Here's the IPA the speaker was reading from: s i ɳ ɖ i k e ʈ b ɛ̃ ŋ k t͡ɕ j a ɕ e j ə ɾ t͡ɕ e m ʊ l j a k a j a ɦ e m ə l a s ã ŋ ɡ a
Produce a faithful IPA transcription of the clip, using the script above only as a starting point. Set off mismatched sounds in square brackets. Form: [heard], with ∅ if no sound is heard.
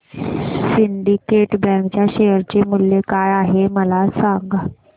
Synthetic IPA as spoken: s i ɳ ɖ i k e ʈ b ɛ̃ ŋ k t͡ɕ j a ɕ e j ə ɾ t͡ɕ e m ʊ l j [e] k a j a ɦ e m ə l a s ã ŋ ɡ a